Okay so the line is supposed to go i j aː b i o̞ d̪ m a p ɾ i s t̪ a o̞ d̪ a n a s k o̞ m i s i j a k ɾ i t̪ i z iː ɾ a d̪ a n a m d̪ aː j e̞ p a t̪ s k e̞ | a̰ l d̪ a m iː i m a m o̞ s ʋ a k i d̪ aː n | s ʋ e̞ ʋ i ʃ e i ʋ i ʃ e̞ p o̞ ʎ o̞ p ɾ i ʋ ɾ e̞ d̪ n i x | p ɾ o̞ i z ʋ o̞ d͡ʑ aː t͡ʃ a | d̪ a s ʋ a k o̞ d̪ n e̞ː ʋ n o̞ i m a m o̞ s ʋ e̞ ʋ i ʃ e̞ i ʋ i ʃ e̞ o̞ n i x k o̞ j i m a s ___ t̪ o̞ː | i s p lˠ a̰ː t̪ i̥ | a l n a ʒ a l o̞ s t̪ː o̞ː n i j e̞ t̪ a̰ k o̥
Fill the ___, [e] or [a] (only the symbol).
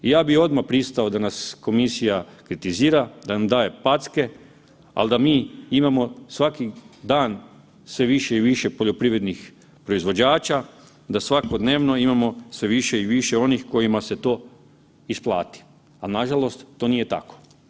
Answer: e